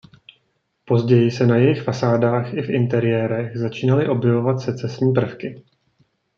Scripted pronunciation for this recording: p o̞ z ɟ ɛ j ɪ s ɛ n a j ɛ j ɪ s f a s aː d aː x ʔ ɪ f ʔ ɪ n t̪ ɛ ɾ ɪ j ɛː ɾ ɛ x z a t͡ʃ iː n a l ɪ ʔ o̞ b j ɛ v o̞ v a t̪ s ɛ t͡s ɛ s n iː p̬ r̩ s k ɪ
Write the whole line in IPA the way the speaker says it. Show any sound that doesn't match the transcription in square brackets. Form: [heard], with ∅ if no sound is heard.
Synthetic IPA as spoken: p o̞ z ɟ ɛ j ɪ s ɛ n a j ɛ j ɪ [x] f a s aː d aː x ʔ ɪ f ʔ ɪ n t̪ ɛ ɾ ɪ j ɛː ɾ ɛ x z a t͡ʃ iː n a l ɪ ʔ o̞ b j ɛ v o̞ v a t̪ s ɛ t͡s ɛ s [ɲ] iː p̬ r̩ [f] k ɪ